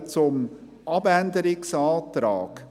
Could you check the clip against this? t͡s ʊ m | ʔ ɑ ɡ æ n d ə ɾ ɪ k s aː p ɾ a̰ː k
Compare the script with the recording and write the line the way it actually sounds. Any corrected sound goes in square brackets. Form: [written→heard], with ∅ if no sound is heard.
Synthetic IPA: t͡s ʊ m | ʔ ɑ [ɡ→b] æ n d ə ɾ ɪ k s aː [p→t] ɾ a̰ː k